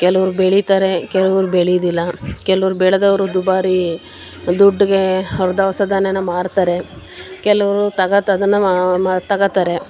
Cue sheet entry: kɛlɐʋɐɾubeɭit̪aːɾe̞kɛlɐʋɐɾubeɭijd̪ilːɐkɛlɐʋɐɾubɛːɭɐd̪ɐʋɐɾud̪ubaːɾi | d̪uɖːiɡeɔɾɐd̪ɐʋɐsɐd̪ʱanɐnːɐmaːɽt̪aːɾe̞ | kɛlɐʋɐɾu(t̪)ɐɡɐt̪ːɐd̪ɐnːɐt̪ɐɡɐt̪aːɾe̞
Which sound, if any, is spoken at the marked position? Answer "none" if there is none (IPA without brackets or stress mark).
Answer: t̪